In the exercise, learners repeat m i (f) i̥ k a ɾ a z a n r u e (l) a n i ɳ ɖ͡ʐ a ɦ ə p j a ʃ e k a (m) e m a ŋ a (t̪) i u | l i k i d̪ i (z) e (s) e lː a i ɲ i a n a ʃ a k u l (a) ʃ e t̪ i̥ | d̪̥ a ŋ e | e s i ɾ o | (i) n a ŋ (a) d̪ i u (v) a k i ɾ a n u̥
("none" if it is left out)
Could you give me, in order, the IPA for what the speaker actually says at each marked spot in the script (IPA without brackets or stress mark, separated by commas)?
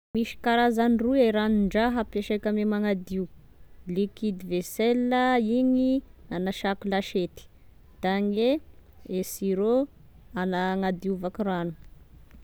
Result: ʃ, ɾ, m, d̪, v, s, a, a, a, v